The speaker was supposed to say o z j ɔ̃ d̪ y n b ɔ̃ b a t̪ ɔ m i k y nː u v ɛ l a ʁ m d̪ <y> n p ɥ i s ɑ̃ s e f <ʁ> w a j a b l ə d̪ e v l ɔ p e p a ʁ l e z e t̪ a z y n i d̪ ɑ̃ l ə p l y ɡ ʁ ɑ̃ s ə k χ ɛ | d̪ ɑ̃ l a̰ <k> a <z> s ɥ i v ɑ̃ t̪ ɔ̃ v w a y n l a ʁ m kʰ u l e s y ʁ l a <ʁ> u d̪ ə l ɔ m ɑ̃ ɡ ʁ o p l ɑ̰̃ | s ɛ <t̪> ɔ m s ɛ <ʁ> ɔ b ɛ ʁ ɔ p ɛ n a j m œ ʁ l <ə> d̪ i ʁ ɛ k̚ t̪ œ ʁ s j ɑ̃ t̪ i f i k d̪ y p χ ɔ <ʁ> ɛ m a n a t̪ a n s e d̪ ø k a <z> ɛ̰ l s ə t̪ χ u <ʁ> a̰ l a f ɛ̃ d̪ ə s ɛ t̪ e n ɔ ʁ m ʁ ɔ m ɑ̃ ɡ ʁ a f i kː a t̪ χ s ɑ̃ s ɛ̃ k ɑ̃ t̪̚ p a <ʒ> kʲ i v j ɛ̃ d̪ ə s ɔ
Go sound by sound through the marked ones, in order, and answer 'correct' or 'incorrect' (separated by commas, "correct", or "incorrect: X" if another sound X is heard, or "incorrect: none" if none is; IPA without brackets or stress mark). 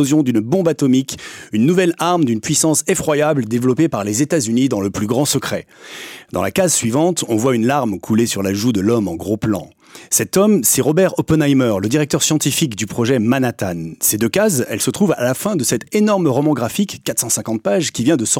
correct, incorrect: χ, correct, correct, incorrect: ʒ, correct, correct, correct, incorrect: ʒ, correct, incorrect: v, correct